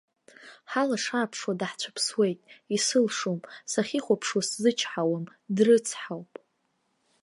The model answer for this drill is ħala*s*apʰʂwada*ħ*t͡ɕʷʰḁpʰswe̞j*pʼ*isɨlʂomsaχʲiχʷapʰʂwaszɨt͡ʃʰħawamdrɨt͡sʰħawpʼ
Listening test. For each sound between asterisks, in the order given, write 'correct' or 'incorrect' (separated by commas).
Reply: incorrect, correct, incorrect